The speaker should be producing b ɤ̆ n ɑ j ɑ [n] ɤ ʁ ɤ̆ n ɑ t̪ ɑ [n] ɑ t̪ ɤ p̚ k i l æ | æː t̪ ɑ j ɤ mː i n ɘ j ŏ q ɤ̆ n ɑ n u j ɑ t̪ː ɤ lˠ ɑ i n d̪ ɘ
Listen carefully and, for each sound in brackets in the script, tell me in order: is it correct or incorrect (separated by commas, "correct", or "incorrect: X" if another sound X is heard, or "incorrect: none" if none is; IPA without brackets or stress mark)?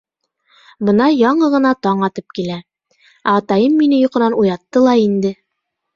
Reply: incorrect: ɴ, incorrect: ɴ